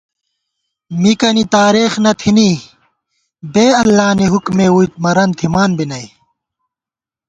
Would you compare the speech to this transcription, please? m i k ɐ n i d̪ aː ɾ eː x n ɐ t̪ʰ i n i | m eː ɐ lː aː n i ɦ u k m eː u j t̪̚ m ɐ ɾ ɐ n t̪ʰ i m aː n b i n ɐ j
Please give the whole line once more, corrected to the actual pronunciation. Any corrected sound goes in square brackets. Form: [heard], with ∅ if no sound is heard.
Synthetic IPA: m i k ɐ n i [t̪] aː ɾ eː x n ɐ t̪ʰ i n i | [b] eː ɐ lː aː n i ɦ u k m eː u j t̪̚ m ɐ ɾ ɐ n t̪ʰ i m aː n b i n ɐ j